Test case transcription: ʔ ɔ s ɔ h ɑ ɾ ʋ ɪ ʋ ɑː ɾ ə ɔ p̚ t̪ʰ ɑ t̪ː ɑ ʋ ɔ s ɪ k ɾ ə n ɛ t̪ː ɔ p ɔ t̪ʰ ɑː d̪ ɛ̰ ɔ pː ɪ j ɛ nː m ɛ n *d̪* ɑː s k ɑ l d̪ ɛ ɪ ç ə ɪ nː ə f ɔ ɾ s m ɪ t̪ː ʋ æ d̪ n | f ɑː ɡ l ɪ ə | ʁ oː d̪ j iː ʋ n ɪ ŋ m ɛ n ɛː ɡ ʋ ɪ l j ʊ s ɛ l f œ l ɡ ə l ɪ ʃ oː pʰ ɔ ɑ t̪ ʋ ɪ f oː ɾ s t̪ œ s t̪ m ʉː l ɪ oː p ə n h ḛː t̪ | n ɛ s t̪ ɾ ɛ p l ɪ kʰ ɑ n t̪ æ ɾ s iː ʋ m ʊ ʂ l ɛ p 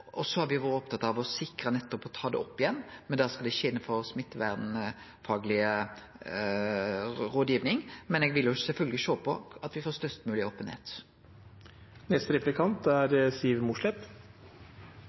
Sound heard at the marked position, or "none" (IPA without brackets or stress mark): d̪